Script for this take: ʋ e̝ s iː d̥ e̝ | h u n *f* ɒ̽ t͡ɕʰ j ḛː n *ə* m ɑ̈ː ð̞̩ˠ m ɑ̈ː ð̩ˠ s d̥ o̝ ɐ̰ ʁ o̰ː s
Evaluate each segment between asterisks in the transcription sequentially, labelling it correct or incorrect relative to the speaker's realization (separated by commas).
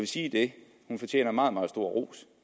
correct, incorrect